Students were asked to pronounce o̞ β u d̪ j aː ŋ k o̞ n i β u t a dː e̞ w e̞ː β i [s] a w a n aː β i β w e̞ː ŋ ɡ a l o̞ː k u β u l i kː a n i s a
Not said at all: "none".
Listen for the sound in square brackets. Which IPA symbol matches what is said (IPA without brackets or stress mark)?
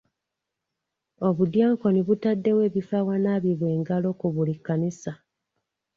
f